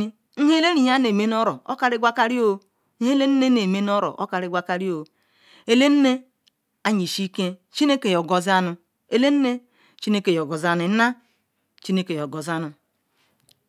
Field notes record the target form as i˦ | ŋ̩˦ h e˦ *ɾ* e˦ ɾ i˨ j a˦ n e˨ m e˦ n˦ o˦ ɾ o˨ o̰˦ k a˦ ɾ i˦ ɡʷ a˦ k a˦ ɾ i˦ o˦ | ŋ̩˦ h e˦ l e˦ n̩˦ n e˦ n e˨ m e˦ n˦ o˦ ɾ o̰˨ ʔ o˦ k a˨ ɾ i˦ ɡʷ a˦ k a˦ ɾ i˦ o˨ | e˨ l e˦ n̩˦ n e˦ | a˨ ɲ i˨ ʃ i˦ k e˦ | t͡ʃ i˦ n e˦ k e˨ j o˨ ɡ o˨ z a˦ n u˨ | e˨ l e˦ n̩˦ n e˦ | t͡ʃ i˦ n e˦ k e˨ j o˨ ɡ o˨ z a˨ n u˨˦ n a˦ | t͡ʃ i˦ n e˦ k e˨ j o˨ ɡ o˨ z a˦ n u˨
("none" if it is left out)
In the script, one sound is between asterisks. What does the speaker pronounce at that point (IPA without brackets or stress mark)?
l